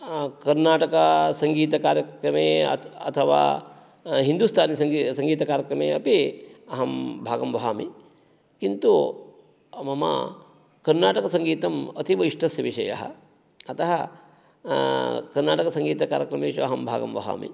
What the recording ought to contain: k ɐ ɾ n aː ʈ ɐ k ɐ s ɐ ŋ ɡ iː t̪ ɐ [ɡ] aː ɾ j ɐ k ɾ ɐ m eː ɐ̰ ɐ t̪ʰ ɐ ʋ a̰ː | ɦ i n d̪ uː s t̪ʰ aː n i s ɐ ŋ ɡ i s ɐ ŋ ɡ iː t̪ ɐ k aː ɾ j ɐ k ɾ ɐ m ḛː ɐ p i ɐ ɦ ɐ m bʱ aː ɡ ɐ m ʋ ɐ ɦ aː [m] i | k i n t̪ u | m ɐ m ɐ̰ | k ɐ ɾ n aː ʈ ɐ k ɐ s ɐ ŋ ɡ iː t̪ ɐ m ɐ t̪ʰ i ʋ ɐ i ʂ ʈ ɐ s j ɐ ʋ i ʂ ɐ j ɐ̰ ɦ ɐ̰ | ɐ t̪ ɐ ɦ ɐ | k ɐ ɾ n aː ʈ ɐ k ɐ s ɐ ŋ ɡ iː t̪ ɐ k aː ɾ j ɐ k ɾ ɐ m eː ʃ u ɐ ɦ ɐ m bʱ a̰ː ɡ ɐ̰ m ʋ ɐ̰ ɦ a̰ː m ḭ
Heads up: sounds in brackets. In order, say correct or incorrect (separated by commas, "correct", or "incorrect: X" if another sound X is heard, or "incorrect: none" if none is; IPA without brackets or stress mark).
incorrect: k, correct